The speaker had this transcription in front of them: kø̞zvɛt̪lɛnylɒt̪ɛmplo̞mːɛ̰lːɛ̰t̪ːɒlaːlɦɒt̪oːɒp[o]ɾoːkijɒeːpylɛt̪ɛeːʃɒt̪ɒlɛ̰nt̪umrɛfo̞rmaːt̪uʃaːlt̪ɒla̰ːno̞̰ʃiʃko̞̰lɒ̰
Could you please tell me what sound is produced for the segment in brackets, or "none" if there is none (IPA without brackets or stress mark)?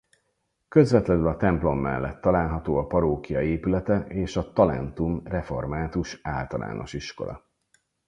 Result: ɒ